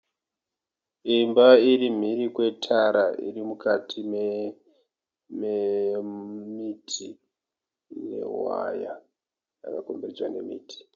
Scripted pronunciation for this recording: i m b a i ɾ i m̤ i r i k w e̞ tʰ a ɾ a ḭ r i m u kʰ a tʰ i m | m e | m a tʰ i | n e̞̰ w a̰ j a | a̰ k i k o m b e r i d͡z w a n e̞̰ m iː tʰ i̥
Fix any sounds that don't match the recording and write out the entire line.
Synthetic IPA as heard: i m b a i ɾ i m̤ i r i k w e̞ tʰ a ɾ a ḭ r i m u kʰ a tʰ i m | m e | m i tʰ i | n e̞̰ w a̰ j a | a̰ k a k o m b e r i d͡z w a n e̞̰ m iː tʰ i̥